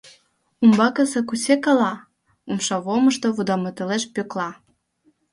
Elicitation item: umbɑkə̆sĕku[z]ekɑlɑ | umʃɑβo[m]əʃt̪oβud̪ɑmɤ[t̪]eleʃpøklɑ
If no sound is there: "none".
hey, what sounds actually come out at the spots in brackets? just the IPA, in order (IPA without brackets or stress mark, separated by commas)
s, m, t̪